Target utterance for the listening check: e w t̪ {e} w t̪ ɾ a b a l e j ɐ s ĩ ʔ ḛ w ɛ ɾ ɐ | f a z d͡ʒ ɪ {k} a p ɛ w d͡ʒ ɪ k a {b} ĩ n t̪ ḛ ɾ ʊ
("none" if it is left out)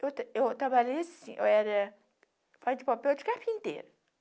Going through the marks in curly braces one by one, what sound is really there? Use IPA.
e, p, p

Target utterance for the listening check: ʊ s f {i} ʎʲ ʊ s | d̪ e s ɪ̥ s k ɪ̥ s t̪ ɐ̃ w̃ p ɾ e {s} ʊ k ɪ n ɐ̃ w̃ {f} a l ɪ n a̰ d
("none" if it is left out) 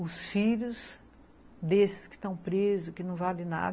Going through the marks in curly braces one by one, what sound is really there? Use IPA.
i, z, v

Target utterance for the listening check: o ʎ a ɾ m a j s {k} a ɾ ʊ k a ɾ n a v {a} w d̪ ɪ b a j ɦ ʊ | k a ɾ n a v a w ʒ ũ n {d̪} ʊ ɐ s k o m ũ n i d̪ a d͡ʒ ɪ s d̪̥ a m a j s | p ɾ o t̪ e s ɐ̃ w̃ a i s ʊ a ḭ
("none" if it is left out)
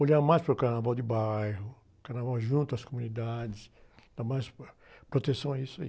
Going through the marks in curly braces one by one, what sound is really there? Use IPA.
p, a, t̪

